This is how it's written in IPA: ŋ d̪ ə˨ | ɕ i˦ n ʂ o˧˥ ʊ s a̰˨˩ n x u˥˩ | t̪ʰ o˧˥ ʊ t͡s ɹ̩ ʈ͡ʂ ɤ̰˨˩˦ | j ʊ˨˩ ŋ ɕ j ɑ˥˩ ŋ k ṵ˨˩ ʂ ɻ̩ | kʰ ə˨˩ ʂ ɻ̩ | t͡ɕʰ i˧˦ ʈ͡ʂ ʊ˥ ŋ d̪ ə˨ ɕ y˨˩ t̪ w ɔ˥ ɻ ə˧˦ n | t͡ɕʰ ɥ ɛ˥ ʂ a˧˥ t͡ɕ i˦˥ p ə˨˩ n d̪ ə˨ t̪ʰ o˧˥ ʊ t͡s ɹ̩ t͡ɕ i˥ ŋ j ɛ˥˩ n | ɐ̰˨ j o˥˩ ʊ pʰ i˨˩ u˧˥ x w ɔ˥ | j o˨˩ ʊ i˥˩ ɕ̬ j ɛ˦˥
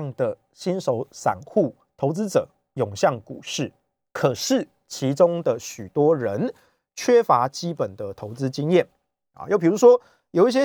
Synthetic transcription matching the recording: ŋ d̪ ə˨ | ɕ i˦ n ʂ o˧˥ ʊ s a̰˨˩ n x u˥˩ | t̪ʰ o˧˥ ʊ t͡s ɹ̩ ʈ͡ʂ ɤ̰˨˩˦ | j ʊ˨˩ ŋ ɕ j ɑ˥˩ ŋ k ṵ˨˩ ʂ ɻ̩ | kʰ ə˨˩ ʂ ɻ̩ | t͡ɕʰ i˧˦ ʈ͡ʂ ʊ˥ ŋ d̪ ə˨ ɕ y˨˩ t̪ w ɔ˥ ɻ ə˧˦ n | t͡ɕʰ ɥ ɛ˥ f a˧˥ t͡ɕ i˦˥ p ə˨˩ n d̪ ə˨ t̪ʰ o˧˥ ʊ t͡s ɹ̩ t͡ɕ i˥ ŋ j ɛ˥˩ n | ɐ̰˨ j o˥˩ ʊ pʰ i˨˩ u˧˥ ʂ w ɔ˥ | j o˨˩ ʊ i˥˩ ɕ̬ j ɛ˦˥